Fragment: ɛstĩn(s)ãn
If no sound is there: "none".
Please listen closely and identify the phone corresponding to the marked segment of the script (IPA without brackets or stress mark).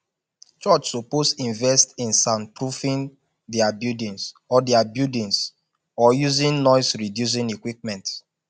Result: s